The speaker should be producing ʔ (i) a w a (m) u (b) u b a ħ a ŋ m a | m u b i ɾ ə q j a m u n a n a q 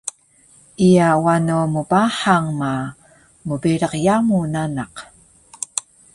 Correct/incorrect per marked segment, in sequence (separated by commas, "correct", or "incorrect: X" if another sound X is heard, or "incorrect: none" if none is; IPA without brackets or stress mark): correct, incorrect: n, incorrect: m